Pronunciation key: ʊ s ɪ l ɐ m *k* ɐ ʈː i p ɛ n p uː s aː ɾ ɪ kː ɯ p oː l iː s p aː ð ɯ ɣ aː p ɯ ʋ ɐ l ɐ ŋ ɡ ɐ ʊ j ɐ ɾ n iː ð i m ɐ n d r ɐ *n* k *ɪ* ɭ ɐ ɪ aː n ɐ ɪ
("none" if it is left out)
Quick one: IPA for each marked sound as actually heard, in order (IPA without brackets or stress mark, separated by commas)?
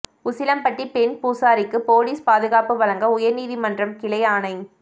p, m, ɪ